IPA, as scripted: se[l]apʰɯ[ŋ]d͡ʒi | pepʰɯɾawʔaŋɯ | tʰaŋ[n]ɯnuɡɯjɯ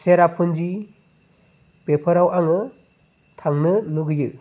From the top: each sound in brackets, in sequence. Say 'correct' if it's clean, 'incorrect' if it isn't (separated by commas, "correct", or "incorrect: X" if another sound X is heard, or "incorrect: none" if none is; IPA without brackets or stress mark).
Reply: incorrect: ɾ, incorrect: n, correct